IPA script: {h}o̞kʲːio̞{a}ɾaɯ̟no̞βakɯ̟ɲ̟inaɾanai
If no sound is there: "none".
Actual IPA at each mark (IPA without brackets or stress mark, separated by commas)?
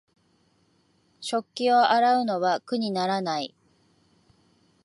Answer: ɕ, a